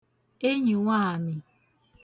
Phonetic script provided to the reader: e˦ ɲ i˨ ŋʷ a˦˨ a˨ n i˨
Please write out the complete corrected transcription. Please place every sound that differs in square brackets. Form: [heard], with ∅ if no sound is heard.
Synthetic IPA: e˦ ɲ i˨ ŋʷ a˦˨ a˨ [m] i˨